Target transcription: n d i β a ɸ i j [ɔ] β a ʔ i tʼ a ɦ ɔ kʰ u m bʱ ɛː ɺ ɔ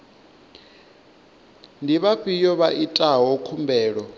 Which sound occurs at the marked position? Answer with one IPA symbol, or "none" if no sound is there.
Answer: ɔ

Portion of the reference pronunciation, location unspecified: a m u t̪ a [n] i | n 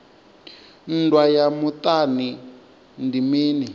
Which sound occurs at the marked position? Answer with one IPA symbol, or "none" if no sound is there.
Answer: n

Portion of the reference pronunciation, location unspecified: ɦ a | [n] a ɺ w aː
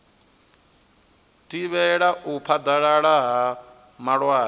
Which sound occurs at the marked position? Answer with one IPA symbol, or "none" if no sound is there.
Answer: m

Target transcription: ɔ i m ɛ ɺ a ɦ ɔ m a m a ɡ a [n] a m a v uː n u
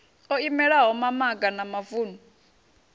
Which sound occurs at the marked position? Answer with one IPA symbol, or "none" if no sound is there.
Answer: n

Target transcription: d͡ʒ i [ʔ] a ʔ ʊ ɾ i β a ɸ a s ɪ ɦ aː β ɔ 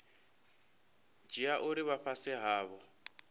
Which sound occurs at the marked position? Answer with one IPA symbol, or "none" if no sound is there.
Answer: none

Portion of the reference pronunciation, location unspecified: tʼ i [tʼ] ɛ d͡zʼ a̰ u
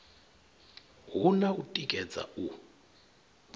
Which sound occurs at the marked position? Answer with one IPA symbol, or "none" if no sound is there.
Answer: kʼ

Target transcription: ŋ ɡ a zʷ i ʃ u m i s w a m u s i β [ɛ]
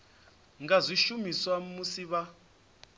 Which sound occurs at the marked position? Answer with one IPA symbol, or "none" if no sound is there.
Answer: a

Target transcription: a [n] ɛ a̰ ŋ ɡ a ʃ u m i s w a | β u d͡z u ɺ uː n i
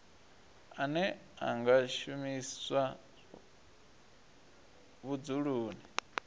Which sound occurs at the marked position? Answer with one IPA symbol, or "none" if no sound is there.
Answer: n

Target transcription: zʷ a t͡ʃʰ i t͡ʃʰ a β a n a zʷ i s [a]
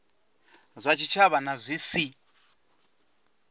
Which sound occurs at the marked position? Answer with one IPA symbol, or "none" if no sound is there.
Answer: i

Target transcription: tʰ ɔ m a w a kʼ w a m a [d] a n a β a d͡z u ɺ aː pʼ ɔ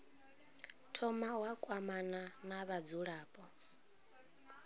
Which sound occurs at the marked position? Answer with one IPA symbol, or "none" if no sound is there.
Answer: n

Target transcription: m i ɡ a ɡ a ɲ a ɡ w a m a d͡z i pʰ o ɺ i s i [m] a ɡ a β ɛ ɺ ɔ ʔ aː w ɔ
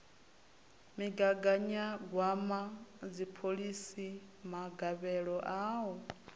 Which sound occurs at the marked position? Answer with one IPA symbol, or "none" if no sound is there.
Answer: m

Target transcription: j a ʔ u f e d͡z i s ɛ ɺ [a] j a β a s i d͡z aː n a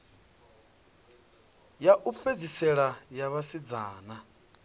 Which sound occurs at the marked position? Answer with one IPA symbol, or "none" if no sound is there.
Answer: a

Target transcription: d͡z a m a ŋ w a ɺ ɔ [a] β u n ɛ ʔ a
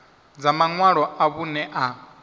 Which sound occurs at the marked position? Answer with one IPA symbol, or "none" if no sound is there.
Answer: a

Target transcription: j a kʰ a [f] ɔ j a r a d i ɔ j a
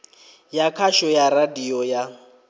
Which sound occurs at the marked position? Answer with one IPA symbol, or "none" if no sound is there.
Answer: ʃ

